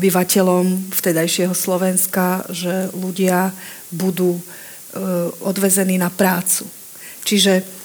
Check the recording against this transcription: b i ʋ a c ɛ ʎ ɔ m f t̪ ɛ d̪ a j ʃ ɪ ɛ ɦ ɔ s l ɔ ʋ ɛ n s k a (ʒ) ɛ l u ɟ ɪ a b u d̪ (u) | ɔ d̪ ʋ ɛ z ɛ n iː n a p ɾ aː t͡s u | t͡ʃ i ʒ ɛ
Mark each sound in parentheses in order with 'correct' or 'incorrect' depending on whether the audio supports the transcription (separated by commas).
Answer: correct, incorrect